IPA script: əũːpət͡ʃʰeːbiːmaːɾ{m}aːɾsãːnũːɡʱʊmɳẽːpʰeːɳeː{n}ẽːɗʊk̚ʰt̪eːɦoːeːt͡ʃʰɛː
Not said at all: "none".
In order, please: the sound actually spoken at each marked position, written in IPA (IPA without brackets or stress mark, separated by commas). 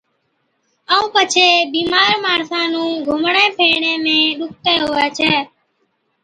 m, m